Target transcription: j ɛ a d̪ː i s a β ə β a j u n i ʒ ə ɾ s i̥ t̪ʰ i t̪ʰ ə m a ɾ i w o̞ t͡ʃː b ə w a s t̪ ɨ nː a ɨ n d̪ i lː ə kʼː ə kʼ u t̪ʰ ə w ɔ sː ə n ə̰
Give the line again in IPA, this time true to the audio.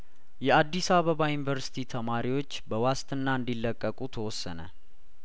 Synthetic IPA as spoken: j ɛ a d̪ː i s a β ə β a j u n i v ə ɾ s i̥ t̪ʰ i t̪ʰ ə m a ɾ i w o̞ t͡ʃː b ə w a s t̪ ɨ nː a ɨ n d̪ i lː ə kʼː ə kʼ u t̪ʰ ə w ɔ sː ə n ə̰